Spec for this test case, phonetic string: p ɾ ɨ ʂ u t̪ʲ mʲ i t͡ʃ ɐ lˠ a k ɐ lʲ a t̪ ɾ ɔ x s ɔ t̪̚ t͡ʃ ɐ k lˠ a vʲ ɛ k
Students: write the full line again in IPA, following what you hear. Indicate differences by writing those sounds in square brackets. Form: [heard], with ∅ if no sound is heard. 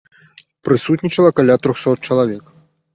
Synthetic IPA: p ɾ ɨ [s] u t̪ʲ [nʲ] i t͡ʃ ɐ lˠ [ɐ] k [a] lʲ a t̪ ɾ ɔ x s ɔ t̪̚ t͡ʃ ɐ [∅] lˠ a vʲ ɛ k

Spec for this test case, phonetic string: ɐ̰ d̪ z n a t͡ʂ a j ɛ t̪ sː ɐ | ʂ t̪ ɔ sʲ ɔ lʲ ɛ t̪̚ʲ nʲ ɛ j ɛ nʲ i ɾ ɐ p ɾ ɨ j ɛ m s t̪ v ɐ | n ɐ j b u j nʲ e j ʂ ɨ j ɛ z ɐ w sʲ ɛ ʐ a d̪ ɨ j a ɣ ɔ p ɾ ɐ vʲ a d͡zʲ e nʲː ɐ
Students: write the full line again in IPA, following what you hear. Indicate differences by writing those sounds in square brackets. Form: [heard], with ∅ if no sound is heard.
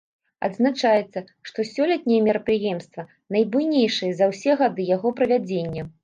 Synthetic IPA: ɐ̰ d̪ z n a t͡ʂ a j ɛ t̪ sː ɐ | ʂ t̪ ɔ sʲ ɔ lʲ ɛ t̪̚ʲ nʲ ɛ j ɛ [mʲ] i ɾ ɐ p ɾ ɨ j ɛ m s t̪ v ɐ | n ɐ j b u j nʲ e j ʂ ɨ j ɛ z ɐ w sʲ ɛ [ɣ] a d̪ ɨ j a ɣ ɔ p ɾ ɐ vʲ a d͡zʲ e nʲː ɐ

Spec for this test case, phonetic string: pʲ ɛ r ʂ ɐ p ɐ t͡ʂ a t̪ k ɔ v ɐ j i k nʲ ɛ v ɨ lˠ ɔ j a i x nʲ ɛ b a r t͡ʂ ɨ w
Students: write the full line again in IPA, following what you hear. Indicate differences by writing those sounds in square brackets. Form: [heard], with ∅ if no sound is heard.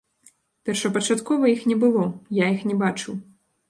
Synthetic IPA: pʲ ɛ r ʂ ɐ p ɐ t͡ʂ a t̪ k ɔ v ɐ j i [x] nʲ ɛ [b] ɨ lˠ ɔ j a i x nʲ ɛ b a [∅] t͡ʂ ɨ w

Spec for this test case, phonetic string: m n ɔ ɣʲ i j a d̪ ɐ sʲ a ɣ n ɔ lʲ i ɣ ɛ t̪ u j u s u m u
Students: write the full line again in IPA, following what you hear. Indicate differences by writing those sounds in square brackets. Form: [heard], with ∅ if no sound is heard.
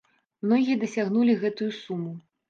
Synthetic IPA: m n ɔ ɣʲ i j [ɐ] d̪ ɐ sʲ a ɣ n [u] lʲ i ɣ ɛ t̪ u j u s u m u

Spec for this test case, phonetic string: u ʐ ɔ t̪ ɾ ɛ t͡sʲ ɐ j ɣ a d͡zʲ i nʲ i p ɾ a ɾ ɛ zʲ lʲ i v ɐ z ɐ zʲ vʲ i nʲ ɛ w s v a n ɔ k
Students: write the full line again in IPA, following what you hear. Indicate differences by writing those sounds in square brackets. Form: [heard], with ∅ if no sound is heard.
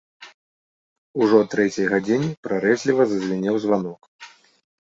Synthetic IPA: u ʐ ɔ t̪ ɾ ɛ t͡sʲ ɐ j ɣ a d͡zʲ i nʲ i p ɾ a ɾ ɛ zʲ lʲ i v ɐ z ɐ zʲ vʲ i nʲ ɛ w [z] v a n ɔ k

